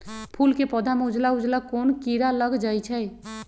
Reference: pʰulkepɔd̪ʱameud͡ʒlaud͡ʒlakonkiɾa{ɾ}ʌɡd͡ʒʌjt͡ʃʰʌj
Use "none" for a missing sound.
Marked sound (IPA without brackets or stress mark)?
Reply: l